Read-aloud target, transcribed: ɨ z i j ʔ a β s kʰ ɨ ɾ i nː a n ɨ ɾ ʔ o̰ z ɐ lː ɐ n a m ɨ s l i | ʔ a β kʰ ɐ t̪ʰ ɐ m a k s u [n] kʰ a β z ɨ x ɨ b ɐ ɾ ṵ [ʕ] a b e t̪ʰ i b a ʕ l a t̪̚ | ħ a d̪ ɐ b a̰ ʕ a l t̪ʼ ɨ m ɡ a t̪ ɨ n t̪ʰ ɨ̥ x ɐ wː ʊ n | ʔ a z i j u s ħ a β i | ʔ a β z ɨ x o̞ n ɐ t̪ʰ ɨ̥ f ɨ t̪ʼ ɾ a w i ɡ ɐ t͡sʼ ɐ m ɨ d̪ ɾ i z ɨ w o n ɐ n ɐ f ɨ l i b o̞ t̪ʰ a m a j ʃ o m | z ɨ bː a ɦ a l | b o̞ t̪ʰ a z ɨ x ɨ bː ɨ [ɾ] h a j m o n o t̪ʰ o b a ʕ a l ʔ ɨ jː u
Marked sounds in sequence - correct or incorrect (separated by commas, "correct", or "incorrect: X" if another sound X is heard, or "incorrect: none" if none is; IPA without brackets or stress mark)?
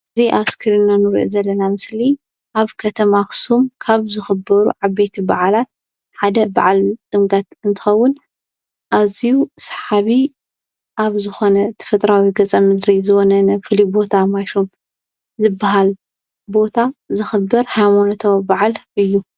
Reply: incorrect: m, correct, correct